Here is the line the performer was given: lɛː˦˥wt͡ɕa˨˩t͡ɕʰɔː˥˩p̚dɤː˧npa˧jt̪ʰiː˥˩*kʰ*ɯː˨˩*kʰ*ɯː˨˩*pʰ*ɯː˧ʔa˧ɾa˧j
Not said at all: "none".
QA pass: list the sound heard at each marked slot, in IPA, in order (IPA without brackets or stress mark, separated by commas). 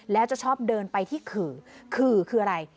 kʰ, kʰ, kʰ